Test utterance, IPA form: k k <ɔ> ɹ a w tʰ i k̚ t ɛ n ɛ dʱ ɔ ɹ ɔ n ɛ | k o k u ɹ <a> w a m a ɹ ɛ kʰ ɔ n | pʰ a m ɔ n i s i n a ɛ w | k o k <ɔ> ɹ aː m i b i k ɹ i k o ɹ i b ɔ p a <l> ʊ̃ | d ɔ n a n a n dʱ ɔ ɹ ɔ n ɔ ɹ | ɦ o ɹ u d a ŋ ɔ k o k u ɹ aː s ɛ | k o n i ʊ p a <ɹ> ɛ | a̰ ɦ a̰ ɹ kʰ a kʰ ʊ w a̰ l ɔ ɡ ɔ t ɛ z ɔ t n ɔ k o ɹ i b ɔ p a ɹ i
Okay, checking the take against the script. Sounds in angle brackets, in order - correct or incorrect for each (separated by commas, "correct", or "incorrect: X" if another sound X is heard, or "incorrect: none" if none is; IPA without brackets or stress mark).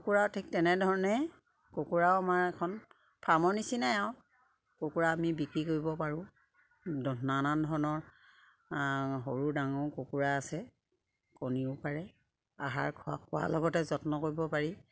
incorrect: u, correct, incorrect: u, incorrect: ɹ, correct